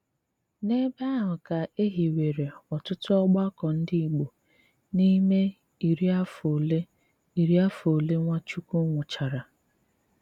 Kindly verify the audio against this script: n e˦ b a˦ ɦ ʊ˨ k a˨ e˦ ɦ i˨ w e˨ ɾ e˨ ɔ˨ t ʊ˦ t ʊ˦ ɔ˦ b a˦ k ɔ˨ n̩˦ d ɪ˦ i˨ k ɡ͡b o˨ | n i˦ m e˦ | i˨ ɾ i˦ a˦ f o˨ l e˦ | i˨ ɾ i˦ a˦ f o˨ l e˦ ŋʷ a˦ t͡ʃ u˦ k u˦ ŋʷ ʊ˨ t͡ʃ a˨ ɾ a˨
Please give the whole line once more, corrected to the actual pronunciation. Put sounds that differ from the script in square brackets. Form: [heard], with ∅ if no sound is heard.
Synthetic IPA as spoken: n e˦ b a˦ ɦ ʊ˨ k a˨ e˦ ɦ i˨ w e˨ ɾ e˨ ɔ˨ t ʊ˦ t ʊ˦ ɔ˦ [ɡ͡b] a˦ k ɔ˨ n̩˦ d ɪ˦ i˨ [∅] ɡ͡b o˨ | n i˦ m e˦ | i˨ ɾ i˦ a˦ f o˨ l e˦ | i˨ ɾ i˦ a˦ f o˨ l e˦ ŋʷ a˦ t͡ʃ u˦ k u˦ ŋʷ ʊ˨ t͡ʃ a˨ ɾ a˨